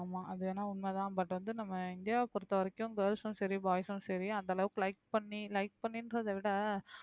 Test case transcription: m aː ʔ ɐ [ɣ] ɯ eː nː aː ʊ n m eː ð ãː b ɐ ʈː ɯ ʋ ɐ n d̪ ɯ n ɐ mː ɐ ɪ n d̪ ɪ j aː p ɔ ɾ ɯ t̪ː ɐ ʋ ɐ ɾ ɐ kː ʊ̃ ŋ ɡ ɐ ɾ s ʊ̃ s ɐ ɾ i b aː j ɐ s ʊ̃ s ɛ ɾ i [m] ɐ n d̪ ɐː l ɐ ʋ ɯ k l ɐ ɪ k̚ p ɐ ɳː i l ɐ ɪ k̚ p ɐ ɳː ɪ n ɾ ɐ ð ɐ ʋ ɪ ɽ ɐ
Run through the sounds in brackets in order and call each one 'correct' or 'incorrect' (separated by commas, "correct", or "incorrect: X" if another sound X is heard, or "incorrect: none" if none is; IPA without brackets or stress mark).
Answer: incorrect: ð, incorrect: none